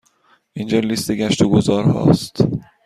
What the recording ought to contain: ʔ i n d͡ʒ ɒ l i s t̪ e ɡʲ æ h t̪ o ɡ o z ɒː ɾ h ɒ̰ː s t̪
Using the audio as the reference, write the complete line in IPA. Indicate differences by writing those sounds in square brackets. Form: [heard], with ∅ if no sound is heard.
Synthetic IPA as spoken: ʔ i n d͡ʒ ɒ l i s t̪ e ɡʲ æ [ʃ] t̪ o ɡ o z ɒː ɾ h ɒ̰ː s t̪